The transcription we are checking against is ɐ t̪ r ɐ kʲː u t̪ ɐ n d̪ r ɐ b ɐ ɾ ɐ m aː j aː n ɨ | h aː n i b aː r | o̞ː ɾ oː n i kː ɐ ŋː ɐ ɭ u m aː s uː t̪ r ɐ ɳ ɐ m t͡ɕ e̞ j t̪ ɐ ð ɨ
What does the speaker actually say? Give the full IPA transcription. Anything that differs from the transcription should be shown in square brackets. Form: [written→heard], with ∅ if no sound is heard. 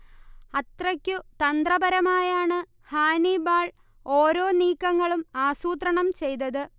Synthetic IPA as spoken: ɐ t̪ r ɐ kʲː u t̪ ɐ n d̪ r ɐ b ɐ ɾ ɐ m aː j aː [n→ɳ] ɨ | h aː n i b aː [r→ɭ] | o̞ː ɾ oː n [i→iː] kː ɐ ŋː ɐ ɭ u m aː s uː t̪ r ɐ ɳ ɐ m t͡ɕ e̞ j t̪ ɐ ð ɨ